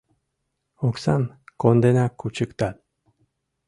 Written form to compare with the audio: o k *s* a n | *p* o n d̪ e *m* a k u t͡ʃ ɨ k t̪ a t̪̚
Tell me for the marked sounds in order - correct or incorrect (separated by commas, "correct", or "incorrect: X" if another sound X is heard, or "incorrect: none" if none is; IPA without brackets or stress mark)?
correct, incorrect: k, incorrect: n